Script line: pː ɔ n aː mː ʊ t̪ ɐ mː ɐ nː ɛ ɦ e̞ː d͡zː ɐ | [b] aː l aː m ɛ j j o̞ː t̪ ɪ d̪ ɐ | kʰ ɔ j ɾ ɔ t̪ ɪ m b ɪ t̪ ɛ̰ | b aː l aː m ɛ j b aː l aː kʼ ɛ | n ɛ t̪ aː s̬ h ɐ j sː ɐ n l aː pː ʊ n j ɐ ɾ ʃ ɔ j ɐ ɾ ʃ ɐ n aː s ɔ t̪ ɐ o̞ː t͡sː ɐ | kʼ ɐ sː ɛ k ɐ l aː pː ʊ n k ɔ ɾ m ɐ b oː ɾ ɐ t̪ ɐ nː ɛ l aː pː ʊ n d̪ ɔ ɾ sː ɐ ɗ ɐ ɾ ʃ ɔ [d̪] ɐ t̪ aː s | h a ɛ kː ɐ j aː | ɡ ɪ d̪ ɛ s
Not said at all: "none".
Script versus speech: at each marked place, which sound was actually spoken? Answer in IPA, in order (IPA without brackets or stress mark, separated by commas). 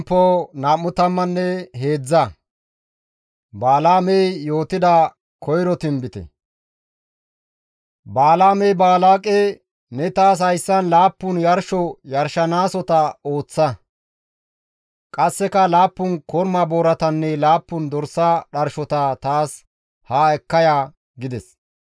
b, t̪